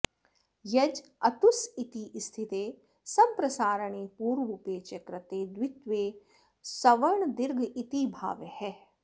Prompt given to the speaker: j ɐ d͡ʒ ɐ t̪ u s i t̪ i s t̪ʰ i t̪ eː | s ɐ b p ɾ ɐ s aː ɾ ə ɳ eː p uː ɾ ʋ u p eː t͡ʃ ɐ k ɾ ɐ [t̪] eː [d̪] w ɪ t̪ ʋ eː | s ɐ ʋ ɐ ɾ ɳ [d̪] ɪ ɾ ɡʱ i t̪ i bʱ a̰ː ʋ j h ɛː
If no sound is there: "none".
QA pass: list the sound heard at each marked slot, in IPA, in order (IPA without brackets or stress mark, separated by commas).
t̪, d̪, d̪